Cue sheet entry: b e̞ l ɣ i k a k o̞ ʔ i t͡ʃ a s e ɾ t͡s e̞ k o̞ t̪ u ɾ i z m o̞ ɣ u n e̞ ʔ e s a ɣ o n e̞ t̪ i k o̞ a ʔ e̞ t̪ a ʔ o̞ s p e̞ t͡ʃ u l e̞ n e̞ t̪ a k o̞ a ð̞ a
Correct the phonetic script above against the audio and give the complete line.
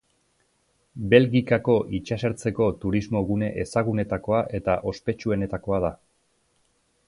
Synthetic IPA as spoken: b e̞ l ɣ i k a k o̞ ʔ i t͡ʃ a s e ɾ t͡s e̞ k o̞ t̪ u ɾ i z m o̞ ɣ u n e̞ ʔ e s a ɣ u n e̞ t̪ a k o̞ a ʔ e̞ t̪ a ʔ o̞ s p e̞ t͡ʃ u e̞ n e̞ t̪ a k o̞ a ð̞ a